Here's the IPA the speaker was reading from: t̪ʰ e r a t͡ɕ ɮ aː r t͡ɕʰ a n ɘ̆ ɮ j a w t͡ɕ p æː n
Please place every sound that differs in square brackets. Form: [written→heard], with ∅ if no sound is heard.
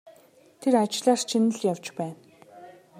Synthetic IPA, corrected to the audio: t̪ʰ e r a t͡ɕ ɮ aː r t͡ɕʰ [a→i] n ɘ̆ ɮ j a w t͡ɕ p æː n